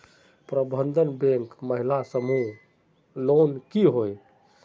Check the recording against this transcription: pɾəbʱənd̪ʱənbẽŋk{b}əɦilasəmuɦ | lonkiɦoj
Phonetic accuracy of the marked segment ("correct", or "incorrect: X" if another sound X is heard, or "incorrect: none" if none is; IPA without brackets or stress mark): incorrect: m